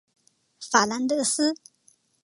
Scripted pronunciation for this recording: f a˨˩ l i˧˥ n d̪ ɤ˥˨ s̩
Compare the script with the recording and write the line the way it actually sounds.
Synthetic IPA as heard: f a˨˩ l a˧˥ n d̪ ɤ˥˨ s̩